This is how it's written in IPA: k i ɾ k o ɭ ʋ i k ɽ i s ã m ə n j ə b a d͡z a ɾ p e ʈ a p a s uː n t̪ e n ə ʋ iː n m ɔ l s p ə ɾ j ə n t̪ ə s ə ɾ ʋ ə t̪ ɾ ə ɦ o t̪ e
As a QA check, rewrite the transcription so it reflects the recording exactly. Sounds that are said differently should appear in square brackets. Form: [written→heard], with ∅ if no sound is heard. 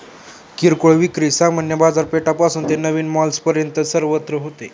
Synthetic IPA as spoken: k i ɾ k o ɭ ʋ i k [ɽ→ɾ] i s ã m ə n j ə b a d͡z a ɾ p e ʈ a p a s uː n t̪ e n ə ʋ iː n m ɔ l s p ə ɾ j ə n t̪ ə s ə ɾ ʋ ə t̪ ɾ ə ɦ o t̪ e